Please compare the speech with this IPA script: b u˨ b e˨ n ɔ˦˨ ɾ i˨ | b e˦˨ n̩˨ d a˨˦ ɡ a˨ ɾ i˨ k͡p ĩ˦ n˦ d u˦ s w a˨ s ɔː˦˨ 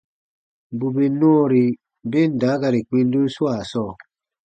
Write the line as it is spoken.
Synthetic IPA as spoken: b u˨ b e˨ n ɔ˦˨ ɾ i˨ | b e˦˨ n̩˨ d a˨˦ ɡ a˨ ɾ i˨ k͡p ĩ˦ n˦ d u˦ s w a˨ s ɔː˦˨